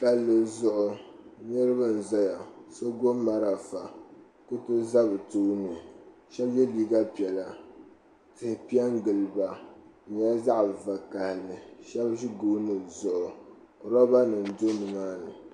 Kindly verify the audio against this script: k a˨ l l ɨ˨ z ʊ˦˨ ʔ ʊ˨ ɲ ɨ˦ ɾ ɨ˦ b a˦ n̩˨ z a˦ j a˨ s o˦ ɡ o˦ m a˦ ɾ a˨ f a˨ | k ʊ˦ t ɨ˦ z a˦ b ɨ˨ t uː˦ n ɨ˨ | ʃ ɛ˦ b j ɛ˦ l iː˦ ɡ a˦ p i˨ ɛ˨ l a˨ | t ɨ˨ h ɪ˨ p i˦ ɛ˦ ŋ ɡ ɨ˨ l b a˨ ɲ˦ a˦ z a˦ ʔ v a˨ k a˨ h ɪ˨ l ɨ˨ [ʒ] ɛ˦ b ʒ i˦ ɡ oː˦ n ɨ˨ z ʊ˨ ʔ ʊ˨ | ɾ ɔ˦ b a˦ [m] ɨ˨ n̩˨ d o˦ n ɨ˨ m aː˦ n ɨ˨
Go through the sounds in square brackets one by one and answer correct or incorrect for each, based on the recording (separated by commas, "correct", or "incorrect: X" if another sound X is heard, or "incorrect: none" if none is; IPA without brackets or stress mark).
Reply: incorrect: ʃ, incorrect: n